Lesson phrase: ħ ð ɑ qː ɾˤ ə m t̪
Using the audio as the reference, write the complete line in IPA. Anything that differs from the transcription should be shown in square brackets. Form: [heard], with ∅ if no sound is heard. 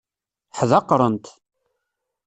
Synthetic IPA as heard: ħ ð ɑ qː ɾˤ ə [n] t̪